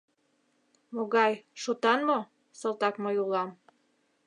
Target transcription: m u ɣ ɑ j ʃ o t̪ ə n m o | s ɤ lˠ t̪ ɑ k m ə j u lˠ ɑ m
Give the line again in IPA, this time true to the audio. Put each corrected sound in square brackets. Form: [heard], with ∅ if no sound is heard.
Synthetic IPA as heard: m [o] ɣ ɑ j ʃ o t̪ [ɑ] n m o | s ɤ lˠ t̪ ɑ k m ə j u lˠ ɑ m

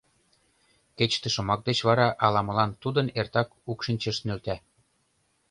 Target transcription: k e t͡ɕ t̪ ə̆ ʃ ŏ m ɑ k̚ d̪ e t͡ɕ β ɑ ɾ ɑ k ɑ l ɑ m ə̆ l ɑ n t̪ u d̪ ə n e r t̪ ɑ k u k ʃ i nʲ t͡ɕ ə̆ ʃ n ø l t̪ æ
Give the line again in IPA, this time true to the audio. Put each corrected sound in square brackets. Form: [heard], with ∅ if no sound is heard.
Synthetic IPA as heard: k e t͡ɕ t̪ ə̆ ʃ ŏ m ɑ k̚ d̪ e t͡ɕ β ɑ ɾ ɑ [ʔ] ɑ l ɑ m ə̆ l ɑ n t̪ u d̪ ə n e r t̪ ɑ k u k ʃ i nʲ t͡ɕ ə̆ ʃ n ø l t̪ æ

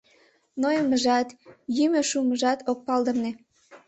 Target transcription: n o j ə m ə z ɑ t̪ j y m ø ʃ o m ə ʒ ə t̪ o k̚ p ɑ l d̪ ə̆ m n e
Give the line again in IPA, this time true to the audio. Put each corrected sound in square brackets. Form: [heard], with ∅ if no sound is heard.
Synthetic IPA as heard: n o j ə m ə [ʒ] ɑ t̪ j y m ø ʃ [u] m ə ʒ [ɑ] t̪ o k̚ p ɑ l d̪ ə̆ m n e

